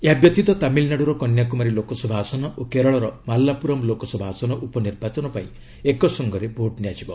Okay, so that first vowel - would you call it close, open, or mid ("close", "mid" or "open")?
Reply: mid